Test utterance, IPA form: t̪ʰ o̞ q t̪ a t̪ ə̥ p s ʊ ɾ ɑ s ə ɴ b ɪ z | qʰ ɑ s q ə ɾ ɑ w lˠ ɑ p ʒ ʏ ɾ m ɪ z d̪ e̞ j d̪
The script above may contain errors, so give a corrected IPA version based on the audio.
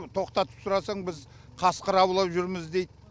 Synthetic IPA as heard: t̪ʰ o̞ q t̪ ɑ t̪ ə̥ p s ʊ ɾ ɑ s ɑ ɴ b ɪ z | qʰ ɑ s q ə ɾ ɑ w lˠ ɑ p ʒ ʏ ɾ m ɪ z d̪ e̞ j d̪